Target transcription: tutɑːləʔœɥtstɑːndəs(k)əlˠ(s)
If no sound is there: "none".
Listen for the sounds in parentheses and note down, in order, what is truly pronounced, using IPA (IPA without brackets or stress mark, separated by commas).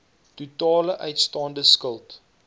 k, t